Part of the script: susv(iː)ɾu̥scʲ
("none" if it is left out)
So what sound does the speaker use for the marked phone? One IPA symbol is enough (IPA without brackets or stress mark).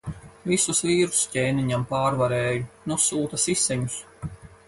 iː